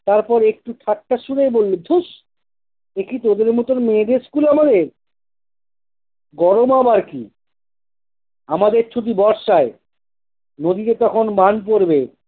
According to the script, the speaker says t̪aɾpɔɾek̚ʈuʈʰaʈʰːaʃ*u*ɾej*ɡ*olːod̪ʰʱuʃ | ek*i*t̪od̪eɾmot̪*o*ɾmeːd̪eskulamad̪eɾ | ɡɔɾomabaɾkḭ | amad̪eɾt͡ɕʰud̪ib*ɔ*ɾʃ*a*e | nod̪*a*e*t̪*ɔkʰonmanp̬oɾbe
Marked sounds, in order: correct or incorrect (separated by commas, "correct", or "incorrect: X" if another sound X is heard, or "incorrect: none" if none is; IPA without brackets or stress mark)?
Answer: correct, incorrect: b, correct, correct, correct, correct, incorrect: i, correct